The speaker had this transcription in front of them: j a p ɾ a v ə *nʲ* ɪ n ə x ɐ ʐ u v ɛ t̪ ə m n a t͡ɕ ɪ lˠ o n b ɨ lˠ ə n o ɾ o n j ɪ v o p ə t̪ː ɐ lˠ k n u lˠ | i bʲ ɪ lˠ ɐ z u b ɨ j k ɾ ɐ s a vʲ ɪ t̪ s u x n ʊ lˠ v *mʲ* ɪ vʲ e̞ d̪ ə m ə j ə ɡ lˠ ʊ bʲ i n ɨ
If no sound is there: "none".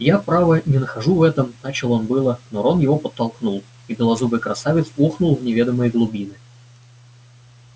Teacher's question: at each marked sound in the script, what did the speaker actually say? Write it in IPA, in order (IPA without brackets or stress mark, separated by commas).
nʲ, nʲ